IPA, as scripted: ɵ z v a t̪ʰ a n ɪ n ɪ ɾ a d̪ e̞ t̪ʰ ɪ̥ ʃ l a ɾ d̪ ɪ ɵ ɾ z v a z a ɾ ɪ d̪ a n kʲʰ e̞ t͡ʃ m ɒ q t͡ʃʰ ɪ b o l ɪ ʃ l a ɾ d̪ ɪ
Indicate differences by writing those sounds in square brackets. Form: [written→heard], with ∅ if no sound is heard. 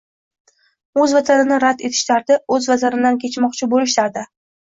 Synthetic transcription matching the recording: ɵ z v a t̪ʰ a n ɪ n ɪ ɾ a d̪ e̞ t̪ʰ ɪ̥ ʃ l a ɾ d̪ ɪ ɵ [ɾ→∅] z v a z a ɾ ɪ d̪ a n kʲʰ e̞ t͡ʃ m ɒ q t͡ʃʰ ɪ b o l ɪ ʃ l a ɾ d̪ ɪ